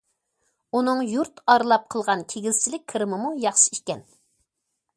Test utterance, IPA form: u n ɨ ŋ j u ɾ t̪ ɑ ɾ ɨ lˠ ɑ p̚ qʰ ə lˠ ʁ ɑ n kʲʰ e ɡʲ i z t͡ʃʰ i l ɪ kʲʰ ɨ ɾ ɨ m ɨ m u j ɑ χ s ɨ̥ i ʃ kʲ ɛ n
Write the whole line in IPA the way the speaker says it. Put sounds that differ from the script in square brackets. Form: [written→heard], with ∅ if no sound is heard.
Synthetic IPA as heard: u n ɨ ŋ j u ɾ t̪ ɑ ɾ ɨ lˠ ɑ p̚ qʰ ə lˠ ʁ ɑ n kʲʰ e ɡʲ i z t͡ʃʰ i l ɪ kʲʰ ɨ ɾ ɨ m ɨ m u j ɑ χ [s→ʃ] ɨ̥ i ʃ kʲ ɛ n